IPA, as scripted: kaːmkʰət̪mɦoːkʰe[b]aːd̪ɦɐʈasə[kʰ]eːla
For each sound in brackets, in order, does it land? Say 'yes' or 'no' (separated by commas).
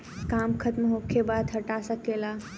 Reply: yes, no